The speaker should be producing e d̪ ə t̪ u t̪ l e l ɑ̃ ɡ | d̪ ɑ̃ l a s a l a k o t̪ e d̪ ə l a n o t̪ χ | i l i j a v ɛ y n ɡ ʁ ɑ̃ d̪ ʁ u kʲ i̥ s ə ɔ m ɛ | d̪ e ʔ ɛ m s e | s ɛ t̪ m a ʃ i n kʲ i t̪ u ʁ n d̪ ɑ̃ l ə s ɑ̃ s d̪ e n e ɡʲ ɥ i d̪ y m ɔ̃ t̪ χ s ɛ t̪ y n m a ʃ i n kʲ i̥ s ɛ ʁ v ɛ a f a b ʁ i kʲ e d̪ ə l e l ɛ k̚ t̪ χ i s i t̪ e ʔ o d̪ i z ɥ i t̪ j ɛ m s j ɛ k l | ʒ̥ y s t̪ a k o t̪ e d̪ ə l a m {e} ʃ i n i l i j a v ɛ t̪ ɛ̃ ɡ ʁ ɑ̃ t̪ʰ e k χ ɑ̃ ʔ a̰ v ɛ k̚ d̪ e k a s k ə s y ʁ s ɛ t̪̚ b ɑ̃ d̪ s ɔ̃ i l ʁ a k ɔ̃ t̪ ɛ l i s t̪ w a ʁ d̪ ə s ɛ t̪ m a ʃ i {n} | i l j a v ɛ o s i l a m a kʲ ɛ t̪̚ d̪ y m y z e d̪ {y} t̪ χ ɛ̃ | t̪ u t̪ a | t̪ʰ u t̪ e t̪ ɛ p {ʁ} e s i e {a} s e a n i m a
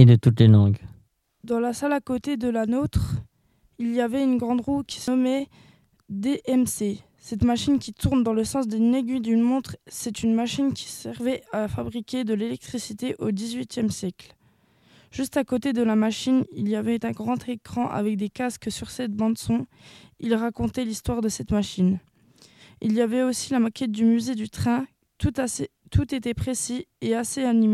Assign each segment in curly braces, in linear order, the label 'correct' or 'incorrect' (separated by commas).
incorrect, correct, correct, incorrect, correct